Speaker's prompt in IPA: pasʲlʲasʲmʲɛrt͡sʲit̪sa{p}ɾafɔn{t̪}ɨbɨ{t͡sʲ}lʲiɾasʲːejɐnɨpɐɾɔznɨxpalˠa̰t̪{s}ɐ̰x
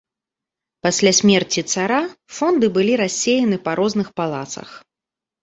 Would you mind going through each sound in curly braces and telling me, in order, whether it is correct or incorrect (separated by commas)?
incorrect, incorrect, incorrect, correct